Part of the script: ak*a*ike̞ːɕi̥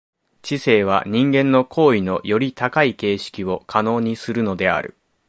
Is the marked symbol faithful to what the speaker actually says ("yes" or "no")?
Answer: yes